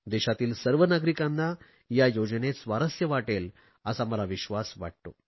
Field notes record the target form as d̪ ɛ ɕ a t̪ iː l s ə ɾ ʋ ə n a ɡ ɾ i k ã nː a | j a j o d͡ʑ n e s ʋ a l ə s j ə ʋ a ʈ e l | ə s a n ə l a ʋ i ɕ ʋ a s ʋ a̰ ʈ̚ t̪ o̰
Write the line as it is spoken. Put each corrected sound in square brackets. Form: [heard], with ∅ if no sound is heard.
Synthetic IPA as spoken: d̪ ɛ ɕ a t̪ iː l s ə ɾ ʋ ə n a ɡ ɾ i k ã nː a | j a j o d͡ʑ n e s ʋ a [ɾ] ə s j ə ʋ a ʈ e l | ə s a [m] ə l a ʋ i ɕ ʋ a s ʋ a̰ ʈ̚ t̪ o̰